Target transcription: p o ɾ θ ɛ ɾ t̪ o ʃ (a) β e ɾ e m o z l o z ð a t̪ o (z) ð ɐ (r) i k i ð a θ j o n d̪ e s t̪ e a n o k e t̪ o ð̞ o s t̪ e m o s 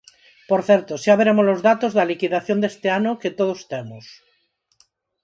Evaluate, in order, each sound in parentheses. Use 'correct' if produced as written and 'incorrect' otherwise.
correct, correct, incorrect: l

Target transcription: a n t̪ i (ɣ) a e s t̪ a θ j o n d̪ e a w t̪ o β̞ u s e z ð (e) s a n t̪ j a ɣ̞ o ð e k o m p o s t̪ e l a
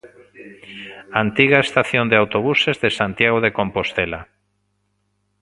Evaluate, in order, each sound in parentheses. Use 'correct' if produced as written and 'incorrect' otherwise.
correct, correct

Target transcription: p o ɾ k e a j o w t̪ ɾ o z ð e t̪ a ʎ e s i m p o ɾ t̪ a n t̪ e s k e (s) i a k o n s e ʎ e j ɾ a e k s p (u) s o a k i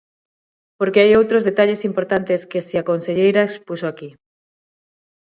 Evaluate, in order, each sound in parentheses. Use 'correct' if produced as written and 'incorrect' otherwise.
correct, correct

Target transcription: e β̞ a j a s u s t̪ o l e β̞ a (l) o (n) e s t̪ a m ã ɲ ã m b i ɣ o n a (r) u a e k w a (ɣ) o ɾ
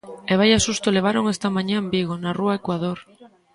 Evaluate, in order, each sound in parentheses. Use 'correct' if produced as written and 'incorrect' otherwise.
incorrect: ɾ, incorrect: ŋ, correct, incorrect: ð

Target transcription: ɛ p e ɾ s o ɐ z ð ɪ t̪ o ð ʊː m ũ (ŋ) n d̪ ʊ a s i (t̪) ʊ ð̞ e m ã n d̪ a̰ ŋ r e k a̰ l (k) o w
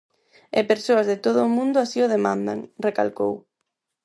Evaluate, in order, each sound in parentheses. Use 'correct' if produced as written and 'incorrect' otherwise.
incorrect: none, incorrect: none, correct

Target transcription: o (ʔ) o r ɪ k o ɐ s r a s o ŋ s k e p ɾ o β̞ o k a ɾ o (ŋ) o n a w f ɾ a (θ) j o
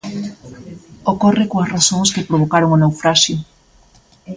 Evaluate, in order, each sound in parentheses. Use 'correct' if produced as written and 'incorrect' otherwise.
incorrect: k, correct, incorrect: ʃ

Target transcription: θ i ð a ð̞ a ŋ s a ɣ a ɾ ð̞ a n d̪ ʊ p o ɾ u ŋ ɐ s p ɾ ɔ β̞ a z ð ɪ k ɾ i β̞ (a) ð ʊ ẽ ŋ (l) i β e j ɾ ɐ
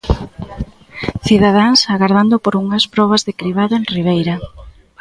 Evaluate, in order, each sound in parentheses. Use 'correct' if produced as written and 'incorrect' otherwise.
correct, incorrect: r

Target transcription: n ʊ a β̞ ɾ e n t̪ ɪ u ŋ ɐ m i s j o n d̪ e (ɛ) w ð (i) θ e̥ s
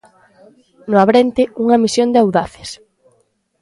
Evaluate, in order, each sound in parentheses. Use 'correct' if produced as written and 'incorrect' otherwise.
incorrect: a, incorrect: a

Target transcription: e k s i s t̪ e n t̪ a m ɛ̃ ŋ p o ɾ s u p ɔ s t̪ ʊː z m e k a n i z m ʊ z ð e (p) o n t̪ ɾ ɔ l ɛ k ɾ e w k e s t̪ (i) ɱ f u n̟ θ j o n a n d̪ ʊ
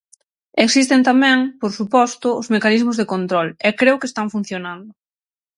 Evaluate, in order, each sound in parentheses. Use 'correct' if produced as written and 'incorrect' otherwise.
incorrect: k, incorrect: a

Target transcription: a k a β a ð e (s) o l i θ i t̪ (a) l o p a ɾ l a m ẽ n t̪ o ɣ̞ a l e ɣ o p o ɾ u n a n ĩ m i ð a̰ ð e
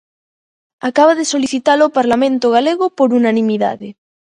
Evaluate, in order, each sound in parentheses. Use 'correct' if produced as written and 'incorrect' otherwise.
correct, correct

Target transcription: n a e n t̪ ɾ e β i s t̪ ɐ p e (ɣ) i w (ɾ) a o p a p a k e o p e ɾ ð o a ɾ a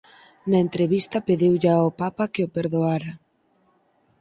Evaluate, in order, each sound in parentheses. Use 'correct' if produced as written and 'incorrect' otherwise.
incorrect: ð, incorrect: ʎ

